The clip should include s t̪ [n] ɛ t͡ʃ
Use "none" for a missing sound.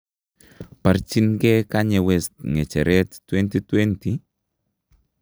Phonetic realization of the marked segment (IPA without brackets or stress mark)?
ŋ